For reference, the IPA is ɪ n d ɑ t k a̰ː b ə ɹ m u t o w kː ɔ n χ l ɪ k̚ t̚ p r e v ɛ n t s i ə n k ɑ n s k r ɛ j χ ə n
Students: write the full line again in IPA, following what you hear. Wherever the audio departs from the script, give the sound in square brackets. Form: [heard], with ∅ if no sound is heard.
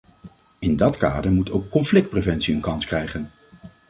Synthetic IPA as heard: ɪ n d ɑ t k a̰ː [d] ə ɹ m u t o w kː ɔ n [f] l ɪ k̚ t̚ p r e v ɛ n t s i ə n k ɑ n s k r ɛ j χ ə n